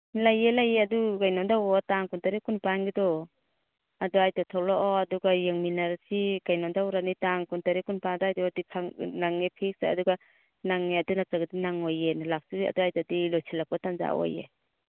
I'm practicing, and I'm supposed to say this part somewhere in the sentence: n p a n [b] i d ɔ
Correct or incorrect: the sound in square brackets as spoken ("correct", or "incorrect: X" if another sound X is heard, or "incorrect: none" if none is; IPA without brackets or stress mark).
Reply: incorrect: ɡ